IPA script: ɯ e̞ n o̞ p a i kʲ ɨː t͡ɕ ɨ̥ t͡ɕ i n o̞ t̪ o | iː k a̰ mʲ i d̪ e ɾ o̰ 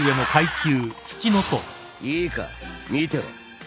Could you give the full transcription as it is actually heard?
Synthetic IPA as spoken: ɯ e̞ n o̞ k a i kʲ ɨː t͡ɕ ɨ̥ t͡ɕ i n o̞ t̪ o | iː k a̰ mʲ i t̪ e ɾ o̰